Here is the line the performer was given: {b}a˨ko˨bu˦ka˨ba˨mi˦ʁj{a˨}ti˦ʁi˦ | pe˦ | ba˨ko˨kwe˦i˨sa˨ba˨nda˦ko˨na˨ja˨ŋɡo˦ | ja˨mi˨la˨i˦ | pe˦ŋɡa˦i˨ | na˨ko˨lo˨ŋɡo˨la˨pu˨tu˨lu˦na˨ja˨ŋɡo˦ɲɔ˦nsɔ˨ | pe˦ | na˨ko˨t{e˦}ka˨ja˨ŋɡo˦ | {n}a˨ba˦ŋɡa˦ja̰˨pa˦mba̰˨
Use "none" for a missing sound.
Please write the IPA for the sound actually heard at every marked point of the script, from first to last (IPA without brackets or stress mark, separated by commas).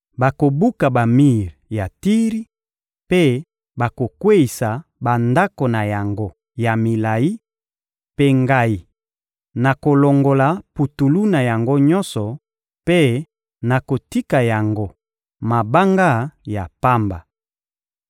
b, a˨, i˦, m